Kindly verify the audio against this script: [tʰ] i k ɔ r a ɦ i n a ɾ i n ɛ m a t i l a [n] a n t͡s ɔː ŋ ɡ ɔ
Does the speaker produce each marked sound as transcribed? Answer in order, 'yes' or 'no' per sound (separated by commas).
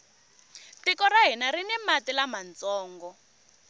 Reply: no, no